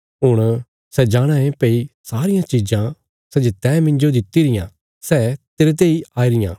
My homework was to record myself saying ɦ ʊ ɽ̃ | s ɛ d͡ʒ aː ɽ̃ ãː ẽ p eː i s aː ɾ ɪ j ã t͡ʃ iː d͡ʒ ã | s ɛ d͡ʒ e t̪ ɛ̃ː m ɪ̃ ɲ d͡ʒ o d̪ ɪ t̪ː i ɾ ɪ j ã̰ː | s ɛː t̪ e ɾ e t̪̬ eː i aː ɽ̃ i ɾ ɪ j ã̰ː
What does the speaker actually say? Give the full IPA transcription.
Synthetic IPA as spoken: ɦ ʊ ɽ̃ | s ɛ d͡ʒ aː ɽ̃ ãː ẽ p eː i s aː ɾ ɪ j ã t͡ʃ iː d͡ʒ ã | s ɛ d͡ʒ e t̪ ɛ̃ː m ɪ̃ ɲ d͡ʒ o d̪ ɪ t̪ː i ɾ ɪ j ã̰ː | s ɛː t̪ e ɾ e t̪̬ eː i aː i ɾ ɪ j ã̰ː